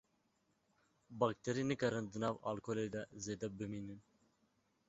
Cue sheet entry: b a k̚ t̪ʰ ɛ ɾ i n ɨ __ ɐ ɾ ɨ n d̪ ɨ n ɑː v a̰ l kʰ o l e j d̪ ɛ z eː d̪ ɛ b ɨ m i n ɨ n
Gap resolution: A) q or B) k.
B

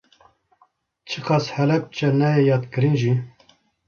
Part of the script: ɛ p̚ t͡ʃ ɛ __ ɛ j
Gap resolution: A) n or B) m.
A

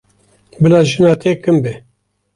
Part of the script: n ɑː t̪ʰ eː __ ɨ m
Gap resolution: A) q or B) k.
B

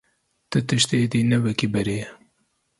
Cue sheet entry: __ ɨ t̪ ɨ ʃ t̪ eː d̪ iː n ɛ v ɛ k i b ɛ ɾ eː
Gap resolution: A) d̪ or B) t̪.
B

